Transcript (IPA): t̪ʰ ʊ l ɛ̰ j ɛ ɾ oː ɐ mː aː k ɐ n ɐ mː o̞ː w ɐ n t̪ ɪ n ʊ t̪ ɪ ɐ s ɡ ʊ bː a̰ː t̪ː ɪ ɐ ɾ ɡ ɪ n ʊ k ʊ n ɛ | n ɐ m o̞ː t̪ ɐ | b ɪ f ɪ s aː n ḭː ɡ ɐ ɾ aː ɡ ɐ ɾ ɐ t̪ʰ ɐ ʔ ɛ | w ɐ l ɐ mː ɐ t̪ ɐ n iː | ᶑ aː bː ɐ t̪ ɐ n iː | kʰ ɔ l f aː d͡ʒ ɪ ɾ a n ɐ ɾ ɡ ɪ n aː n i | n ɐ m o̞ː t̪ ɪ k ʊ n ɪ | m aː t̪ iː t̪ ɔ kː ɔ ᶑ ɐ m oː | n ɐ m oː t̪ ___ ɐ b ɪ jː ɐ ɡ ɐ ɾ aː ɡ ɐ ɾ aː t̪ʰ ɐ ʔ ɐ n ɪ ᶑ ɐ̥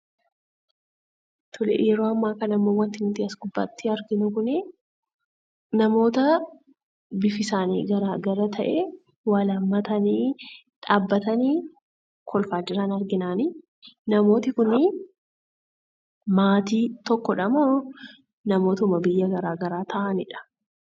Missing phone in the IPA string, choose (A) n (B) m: B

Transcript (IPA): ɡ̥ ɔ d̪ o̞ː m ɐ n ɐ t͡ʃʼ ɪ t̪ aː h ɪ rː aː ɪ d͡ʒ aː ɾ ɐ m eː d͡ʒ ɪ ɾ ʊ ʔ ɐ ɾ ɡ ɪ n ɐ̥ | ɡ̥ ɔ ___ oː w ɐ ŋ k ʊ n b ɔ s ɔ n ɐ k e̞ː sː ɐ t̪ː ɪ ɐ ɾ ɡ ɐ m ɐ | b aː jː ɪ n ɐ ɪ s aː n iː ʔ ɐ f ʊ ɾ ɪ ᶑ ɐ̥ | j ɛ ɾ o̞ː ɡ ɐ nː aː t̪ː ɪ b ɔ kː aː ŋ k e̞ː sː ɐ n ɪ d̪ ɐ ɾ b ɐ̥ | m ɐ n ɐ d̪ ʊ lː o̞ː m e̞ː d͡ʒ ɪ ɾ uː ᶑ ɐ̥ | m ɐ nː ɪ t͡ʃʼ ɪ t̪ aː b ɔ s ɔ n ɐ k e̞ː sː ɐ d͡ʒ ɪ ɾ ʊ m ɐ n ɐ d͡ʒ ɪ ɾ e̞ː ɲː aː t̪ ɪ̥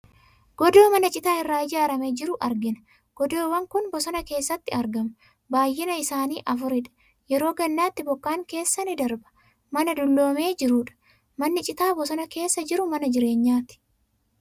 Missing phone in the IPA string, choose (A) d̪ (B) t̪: A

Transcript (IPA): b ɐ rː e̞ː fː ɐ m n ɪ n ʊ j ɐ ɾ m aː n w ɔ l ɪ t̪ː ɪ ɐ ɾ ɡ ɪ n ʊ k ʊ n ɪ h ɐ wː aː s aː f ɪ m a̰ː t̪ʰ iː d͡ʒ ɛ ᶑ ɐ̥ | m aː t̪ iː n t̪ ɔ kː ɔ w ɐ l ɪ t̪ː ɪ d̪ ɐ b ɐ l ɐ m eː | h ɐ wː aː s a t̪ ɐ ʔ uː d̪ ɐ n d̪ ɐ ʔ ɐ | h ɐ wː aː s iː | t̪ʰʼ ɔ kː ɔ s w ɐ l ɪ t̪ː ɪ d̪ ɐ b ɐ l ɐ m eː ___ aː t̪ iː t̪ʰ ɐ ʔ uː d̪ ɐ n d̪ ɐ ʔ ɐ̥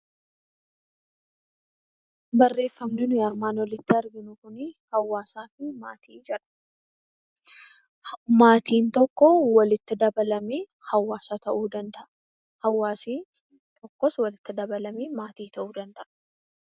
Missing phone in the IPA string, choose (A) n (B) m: B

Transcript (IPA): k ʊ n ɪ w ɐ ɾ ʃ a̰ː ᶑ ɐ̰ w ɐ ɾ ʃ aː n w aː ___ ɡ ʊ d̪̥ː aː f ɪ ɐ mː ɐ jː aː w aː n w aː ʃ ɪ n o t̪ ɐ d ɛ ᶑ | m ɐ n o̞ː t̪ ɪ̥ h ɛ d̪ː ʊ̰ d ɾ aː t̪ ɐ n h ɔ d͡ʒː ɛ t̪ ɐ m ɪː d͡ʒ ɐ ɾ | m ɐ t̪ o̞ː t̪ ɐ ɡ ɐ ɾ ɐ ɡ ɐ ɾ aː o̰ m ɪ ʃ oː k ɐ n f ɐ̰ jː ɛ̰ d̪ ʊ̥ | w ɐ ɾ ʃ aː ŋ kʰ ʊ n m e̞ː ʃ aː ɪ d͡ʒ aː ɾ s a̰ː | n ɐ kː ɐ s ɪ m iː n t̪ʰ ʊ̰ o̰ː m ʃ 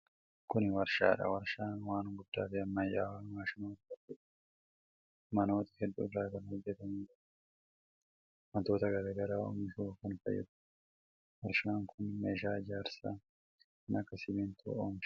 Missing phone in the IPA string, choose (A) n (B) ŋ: A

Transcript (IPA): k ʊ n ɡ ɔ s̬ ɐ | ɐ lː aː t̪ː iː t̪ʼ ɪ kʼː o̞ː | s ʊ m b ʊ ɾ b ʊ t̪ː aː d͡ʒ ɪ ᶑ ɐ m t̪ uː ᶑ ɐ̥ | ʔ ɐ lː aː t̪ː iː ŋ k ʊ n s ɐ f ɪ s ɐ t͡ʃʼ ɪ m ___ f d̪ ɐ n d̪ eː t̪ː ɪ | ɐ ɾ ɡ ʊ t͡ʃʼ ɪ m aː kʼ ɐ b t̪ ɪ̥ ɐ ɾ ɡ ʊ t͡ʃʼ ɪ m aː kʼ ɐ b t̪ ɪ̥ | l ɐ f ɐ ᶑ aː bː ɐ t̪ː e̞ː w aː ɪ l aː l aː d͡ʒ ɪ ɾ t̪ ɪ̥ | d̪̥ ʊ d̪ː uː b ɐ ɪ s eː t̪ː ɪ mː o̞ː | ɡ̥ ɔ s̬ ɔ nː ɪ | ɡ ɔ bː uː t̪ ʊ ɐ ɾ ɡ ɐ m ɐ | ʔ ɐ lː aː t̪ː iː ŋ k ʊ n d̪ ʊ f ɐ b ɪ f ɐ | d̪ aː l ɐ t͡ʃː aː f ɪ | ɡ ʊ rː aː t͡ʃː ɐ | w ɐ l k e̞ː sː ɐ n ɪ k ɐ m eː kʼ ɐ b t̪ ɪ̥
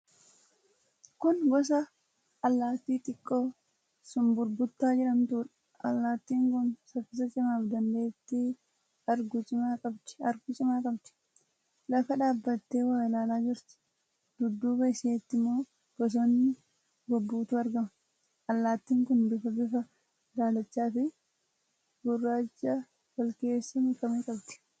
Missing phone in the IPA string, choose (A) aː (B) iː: A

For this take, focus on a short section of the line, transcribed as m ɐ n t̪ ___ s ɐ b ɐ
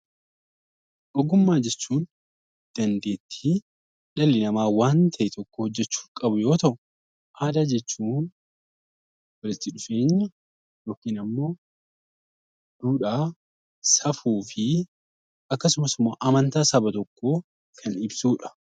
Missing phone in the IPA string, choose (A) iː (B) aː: B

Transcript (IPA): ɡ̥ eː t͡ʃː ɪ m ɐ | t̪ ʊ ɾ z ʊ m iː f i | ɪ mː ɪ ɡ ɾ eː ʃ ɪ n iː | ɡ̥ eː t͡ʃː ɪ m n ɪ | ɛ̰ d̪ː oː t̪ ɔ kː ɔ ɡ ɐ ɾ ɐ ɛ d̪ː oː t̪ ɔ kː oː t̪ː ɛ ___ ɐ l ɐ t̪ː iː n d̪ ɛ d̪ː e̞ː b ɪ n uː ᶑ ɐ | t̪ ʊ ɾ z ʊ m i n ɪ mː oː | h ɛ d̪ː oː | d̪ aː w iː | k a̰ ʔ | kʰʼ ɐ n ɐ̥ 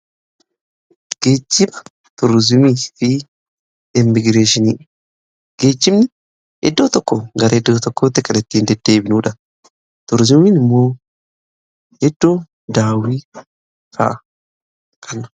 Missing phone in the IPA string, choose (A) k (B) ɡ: A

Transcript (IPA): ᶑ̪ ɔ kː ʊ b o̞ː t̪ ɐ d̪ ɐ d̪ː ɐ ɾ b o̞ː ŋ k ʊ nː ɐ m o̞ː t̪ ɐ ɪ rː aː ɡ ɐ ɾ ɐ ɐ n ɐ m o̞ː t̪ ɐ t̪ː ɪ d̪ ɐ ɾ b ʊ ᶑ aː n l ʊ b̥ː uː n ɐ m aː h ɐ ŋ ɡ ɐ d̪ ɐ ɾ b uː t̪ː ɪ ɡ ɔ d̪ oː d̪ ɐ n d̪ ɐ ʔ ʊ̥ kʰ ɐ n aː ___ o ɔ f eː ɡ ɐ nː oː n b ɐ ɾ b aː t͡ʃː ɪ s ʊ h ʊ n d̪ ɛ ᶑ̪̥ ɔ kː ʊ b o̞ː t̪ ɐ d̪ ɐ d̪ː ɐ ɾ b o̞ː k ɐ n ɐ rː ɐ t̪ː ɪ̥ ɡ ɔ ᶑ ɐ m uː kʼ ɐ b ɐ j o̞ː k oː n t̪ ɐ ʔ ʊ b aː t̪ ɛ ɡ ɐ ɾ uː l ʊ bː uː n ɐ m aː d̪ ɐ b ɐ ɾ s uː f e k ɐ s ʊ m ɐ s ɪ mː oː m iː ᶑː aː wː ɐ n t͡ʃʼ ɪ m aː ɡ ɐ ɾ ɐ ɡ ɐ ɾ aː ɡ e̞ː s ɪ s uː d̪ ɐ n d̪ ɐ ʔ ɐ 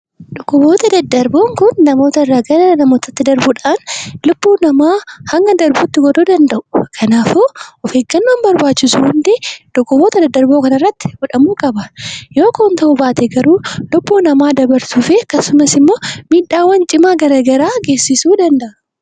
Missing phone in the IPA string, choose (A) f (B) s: A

